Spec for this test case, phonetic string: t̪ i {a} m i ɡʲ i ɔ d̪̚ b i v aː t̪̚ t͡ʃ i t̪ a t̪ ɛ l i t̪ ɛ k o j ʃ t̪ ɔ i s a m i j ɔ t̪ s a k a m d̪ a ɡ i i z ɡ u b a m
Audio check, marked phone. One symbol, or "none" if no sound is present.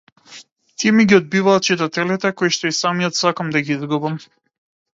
ɛ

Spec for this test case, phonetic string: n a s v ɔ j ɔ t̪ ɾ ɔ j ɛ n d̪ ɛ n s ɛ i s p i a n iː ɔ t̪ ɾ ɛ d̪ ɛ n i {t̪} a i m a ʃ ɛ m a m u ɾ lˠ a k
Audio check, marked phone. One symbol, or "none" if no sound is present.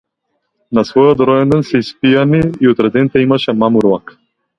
t̪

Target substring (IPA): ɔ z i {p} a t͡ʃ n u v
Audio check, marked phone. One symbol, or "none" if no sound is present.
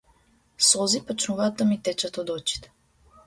p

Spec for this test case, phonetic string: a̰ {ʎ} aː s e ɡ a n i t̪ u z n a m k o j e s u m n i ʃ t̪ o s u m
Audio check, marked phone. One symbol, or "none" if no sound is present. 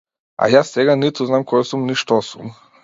j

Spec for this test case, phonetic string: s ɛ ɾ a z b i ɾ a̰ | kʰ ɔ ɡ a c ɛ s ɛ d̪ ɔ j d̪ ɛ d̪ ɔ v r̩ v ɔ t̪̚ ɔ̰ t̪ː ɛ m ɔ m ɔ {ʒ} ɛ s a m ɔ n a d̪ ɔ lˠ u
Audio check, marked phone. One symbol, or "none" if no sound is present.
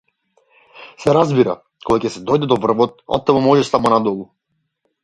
ʒ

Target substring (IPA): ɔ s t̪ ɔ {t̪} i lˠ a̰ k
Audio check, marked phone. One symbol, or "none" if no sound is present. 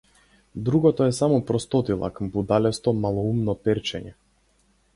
t̪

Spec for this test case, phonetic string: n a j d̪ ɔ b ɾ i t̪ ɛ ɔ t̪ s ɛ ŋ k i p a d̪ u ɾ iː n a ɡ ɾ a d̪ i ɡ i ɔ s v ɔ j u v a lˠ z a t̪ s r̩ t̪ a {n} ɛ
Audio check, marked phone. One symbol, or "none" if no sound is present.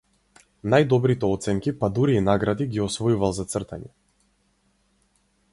ɲ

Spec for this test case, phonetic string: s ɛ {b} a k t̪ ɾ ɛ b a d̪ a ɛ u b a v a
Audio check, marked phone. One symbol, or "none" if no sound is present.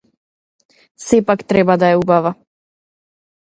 p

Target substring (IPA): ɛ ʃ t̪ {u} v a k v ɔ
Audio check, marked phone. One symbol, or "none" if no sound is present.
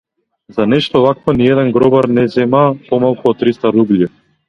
ɔ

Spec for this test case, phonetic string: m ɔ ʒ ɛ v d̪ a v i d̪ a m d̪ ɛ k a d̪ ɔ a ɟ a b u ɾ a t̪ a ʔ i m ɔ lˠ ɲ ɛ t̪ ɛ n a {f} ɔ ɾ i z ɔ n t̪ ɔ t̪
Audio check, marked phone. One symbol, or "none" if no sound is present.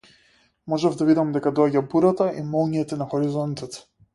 x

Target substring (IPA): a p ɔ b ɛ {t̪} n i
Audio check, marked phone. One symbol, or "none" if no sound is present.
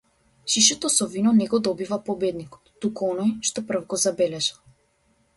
d̪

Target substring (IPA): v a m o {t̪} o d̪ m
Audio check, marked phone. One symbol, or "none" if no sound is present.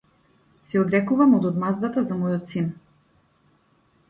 d̪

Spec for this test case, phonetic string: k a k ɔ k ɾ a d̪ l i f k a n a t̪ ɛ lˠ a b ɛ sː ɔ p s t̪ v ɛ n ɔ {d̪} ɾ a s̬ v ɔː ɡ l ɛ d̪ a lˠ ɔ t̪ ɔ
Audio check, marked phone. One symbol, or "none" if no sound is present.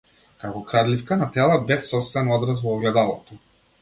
d̪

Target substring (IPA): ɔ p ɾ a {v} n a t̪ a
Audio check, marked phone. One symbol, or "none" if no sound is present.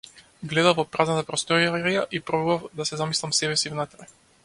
z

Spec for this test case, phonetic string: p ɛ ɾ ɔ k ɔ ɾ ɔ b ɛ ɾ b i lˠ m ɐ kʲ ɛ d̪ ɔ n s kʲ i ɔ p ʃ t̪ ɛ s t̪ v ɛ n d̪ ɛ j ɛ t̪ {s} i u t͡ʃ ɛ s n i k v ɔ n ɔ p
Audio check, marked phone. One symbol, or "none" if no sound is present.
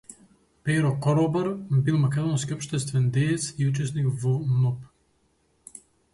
s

